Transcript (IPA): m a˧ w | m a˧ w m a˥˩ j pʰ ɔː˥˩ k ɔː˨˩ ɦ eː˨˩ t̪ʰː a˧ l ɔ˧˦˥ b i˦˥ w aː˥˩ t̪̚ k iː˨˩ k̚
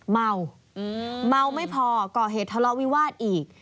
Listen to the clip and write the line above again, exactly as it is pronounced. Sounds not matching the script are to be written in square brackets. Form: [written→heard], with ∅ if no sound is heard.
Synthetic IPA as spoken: m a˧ w | m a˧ w m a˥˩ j pʰ [ɔː˥˩→ɔː˧] k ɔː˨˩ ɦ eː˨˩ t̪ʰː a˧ l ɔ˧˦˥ [b→w] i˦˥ w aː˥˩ t̪̚ [k→ʔ] iː˨˩ k̚